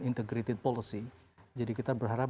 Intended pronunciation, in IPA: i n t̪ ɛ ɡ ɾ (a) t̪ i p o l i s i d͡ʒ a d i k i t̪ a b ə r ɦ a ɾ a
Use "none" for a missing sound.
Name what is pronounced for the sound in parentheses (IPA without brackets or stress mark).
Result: i